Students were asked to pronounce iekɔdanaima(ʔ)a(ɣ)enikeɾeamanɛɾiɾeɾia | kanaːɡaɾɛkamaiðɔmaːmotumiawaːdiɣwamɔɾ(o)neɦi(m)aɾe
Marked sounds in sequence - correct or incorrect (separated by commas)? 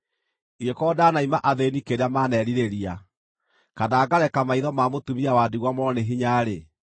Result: correct, incorrect, incorrect, incorrect